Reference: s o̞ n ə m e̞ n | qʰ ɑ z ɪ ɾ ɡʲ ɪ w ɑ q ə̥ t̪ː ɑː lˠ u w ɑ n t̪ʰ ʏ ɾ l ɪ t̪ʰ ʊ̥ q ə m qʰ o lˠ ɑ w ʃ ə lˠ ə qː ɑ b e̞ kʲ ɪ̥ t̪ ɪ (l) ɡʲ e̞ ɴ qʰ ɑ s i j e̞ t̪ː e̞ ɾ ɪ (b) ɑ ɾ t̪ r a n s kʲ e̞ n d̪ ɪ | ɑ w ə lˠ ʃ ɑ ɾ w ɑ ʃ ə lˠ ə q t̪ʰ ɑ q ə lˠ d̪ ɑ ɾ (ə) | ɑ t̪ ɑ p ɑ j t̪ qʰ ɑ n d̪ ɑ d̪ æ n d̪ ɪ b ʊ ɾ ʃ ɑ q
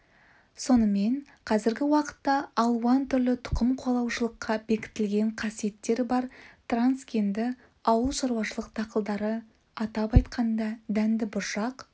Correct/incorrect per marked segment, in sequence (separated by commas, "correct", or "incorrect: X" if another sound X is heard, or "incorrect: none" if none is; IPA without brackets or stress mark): correct, correct, correct